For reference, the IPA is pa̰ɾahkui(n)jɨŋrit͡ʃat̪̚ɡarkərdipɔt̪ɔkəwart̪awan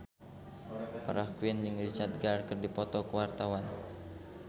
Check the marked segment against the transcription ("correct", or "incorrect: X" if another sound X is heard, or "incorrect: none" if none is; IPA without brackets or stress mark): correct